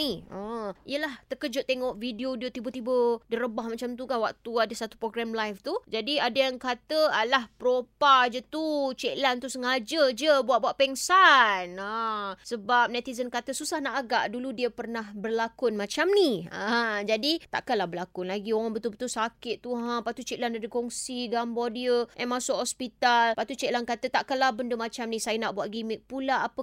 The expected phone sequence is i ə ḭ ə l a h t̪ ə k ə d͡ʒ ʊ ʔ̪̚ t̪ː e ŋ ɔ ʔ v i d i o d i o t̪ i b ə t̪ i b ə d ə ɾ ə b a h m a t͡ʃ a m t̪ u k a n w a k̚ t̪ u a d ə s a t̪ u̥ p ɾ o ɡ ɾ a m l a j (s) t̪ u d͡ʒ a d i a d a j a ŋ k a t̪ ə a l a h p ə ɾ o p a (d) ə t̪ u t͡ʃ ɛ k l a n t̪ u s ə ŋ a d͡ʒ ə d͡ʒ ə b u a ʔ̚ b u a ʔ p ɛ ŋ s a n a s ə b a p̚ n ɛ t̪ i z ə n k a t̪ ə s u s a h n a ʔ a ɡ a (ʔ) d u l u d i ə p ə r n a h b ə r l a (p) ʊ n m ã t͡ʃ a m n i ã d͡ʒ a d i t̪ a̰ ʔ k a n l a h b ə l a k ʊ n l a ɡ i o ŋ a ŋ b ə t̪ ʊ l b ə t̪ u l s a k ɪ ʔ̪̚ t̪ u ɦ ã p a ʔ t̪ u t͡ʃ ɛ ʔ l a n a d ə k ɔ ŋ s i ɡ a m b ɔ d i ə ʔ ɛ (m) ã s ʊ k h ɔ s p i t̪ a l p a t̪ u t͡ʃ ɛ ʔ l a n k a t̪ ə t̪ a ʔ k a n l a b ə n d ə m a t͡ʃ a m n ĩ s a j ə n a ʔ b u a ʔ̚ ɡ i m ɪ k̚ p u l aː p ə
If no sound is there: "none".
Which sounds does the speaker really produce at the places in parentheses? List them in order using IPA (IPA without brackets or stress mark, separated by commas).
f, d͡ʒ, ʔ, k, m